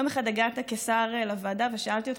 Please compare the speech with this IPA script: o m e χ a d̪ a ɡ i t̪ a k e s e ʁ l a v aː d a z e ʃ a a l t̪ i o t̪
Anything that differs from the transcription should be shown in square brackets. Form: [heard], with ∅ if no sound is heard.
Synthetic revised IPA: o m e χ a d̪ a ɡ [a] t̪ a k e s [a] ʁ l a v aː d a [v] e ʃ a a l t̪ i o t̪